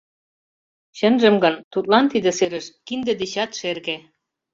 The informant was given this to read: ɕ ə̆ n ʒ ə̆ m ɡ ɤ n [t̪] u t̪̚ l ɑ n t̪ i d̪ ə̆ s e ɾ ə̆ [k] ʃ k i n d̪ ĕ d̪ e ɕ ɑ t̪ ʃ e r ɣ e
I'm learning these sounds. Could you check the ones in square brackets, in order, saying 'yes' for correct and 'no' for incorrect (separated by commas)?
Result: yes, no